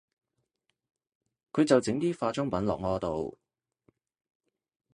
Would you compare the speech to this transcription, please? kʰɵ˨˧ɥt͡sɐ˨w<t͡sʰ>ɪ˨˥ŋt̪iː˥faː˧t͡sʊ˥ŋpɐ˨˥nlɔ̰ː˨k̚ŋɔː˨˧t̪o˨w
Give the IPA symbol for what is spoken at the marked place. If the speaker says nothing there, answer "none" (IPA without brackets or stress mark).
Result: t͡s